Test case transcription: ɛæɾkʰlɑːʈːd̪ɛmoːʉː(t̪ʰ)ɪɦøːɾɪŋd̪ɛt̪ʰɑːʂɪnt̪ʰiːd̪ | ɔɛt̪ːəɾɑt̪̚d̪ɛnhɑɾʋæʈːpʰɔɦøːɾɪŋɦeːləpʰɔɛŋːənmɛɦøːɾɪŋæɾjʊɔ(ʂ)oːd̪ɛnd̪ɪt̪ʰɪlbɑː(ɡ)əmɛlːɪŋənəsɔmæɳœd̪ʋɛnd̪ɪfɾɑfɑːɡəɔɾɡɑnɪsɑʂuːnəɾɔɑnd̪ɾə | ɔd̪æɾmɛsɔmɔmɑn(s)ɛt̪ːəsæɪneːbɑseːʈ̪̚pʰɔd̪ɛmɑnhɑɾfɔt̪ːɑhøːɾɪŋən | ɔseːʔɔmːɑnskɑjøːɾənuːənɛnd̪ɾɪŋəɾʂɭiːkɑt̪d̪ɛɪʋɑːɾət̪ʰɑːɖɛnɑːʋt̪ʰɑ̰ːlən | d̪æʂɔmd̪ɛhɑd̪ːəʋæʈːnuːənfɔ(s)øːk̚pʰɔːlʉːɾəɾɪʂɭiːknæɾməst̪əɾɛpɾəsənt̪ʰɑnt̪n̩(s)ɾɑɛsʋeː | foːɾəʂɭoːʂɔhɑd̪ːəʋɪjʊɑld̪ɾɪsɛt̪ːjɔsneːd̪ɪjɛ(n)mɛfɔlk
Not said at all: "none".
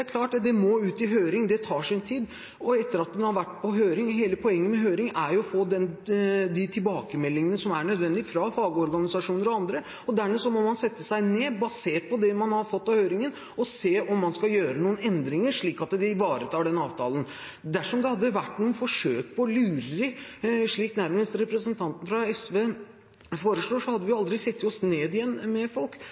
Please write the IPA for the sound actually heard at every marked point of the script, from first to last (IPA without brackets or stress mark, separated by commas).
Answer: t̪, f, k, s, ʂ, f, nː